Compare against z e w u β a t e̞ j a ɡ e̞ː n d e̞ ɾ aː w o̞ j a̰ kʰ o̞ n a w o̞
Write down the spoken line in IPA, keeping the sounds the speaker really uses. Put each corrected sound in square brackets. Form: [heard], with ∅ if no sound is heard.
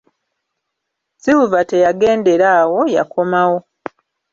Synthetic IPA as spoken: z [i] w u [v] a t e̞ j a ɡ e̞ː n d e̞ ɾ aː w o̞ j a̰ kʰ o̞ [m] a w o̞

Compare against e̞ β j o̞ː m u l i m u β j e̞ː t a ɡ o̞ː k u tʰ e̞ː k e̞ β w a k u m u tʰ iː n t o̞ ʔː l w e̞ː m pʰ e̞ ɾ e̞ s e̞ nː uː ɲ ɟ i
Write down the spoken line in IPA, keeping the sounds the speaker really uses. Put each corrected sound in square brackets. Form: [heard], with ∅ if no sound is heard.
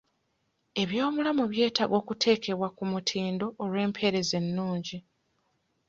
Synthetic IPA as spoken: e̞ β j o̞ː m u l [a] m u β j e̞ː t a ɡ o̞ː k u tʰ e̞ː k e̞ β w a k u m u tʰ iː n [d] o̞ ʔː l w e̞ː m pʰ e̞ ɾ e̞ [z] e̞ nː uː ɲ ɟ i

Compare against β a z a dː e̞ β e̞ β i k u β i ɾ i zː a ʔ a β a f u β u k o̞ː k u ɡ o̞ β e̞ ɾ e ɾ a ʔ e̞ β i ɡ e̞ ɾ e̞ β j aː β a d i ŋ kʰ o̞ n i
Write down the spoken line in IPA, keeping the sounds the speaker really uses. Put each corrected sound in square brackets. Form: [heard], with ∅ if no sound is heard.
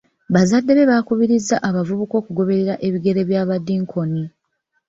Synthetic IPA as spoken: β a z a dː e̞ β e̞ β [a] k u β i ɾ i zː a ʔ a β a [v] u β u k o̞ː k u ɡ o̞ β e̞ ɾ e ɾ a ʔ e̞ β i ɡ e̞ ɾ e̞ β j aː β a d i ŋ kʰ o̞ n i

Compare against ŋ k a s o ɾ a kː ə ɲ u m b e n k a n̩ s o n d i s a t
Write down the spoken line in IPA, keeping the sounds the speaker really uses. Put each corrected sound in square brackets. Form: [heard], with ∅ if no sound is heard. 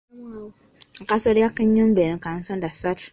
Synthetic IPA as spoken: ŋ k a s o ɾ a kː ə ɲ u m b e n k a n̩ s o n d [a] s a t

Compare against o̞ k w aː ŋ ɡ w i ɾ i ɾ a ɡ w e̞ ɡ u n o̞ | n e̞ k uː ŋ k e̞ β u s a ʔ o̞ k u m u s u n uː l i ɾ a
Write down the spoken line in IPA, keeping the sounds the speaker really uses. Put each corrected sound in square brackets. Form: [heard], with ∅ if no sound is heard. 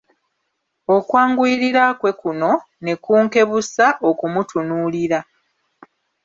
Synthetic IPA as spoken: o̞ k w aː ŋ ɡ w i ɾ i ɾ a [k] w e̞ [k] u n o̞ | n e̞ k uː ŋ k e̞ β u s a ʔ o̞ k u m u [t] u n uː l i ɾ a

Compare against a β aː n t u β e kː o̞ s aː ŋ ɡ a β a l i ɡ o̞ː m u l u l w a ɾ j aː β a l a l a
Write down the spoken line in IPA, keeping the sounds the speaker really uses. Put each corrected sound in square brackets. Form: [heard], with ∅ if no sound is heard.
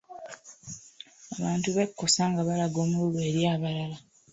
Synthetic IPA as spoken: a β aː n t u β e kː o̞ s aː ŋ ɡ a β a l [a] ɡ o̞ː m u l u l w [e] ɾ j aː β a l a l a

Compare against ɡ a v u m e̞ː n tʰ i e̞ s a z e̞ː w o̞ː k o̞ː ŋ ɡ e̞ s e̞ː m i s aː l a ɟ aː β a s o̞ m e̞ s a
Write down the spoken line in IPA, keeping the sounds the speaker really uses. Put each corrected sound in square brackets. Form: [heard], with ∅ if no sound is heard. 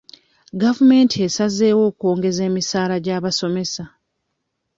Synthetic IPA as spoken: ɡ a v u m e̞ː n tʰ i e̞ s a z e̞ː w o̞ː k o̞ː ŋ ɡ e̞ [z] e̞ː m i s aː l a ɟ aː β a s o̞ m e̞ s a

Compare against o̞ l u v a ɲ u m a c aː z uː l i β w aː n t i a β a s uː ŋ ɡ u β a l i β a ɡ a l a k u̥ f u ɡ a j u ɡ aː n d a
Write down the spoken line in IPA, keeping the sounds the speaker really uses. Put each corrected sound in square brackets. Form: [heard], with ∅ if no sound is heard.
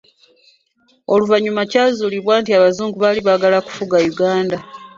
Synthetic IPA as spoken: o̞ l u v a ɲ u m a c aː z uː l i β w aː n t i a β a [z] uː ŋ ɡ u β a l i β a ɡ a l a k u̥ f u ɡ a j u ɡ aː n d a

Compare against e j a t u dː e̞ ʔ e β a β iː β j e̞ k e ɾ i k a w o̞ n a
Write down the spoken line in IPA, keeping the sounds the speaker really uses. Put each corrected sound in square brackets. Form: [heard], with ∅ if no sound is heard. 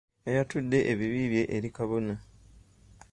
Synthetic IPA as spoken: e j a t u dː e̞ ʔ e β [i] β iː β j e̞ [ʔ] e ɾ i k a [β] o̞ n a

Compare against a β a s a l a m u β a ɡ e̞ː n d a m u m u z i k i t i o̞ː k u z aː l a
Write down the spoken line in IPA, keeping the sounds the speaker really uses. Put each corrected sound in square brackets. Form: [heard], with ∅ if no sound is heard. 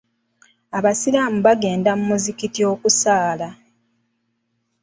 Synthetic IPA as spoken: a β a s [i] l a m u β a ɡ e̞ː n d a m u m u z i k i t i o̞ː k u [s] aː l a

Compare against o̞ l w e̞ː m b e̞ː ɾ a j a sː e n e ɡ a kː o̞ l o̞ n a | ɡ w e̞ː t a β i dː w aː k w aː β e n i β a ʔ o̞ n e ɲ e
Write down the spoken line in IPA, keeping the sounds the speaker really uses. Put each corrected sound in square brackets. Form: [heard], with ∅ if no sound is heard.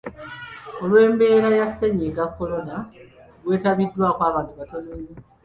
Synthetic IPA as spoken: o̞ l w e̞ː m b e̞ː ɾ a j a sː e [ɲ] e ɡ a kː o̞ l o̞ n a | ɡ w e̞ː t a β i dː w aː k w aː β [a] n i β a [t] o̞ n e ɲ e

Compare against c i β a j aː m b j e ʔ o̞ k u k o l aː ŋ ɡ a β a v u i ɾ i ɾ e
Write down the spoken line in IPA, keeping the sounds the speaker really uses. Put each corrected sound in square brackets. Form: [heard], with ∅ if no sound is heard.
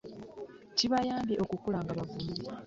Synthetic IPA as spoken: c i β a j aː m b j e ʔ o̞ k u k [u] l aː ŋ ɡ a β a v u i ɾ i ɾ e

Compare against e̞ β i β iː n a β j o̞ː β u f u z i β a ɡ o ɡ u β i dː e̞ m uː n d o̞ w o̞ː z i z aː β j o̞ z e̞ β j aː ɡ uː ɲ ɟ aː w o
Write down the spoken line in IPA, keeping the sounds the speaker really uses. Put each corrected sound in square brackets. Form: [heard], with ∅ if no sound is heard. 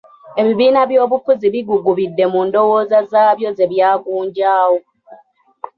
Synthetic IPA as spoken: e̞ β i β iː n a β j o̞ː β u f u z i β [i] ɡ [u] ɡ u β i dː e̞ m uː n d o̞ w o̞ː z [a] z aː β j o̞ z e̞ β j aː ɡ uː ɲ ɟ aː w o

